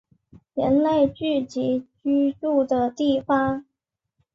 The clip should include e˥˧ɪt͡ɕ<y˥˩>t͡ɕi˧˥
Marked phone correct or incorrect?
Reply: correct